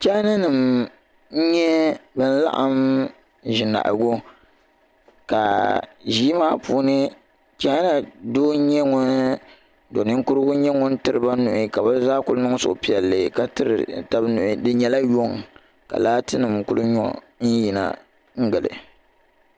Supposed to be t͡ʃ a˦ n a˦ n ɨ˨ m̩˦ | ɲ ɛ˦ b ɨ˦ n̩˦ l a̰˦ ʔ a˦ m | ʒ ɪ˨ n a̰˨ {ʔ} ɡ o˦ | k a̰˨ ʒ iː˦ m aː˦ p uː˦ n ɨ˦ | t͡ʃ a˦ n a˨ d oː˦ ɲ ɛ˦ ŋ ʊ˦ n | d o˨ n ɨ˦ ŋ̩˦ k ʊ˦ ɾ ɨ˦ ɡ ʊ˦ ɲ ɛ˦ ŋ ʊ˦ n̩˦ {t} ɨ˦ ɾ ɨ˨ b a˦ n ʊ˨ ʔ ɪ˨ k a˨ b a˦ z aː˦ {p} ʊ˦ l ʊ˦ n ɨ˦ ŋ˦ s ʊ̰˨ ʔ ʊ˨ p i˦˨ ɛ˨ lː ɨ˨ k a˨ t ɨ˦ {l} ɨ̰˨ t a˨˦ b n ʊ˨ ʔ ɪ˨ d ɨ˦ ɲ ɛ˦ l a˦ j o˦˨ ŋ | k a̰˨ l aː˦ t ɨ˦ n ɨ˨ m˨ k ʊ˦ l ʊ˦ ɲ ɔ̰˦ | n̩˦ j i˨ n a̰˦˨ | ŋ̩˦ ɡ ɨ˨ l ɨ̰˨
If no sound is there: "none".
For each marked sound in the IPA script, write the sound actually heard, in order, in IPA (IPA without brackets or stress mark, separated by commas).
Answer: ʔ, t, k, ɾ